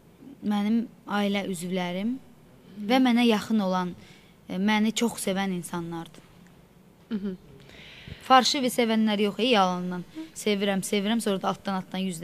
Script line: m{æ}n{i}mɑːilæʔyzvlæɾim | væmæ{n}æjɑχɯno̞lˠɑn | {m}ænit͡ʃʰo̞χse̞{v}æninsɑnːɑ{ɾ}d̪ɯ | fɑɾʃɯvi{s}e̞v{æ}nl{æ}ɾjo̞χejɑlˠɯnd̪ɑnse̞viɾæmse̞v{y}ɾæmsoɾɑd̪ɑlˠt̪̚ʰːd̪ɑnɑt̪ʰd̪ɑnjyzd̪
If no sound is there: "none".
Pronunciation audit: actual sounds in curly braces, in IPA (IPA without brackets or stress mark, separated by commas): æ, i, n, m, v, ɾ, s, æ, æ, i